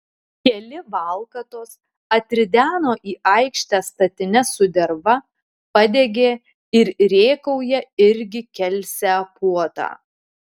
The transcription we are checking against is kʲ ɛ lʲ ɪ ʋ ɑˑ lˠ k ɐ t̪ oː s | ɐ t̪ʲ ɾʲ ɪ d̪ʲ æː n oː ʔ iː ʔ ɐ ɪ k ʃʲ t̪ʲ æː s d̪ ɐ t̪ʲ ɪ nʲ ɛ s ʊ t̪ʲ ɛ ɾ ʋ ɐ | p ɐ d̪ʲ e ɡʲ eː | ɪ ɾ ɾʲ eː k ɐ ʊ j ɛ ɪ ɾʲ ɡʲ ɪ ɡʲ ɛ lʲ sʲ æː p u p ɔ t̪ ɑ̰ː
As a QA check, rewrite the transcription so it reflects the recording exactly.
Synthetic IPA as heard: kʲ ɛ lʲ ɪ ʋ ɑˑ lˠ k ɐ t̪ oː s | ɐ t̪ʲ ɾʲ ɪ d̪ʲ æː n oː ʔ iː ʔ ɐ ɪ k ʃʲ t̪ʲ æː s t̪ ɐ t̪ʲ ɪ nʲ ɛ s ʊ d̪ʲ ɛ ɾ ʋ ɐ | p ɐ d̪ʲ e ɡʲ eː | ɪ ɾ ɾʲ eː k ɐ ʊ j ɛ ɪ ɾʲ ɡʲ ɪ kʲ ɛ lʲ sʲ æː p u ɔ t̪ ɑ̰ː